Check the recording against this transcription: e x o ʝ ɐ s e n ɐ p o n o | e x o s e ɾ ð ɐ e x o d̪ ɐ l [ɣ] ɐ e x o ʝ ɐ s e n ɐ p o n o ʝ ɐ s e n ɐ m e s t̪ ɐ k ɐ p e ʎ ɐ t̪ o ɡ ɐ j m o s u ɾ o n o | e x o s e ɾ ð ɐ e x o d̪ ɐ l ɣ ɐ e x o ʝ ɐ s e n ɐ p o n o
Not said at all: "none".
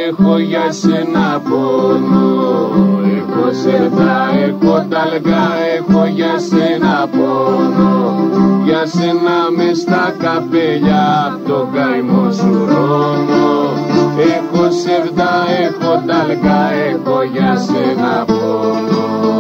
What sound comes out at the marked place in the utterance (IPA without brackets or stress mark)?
ɣ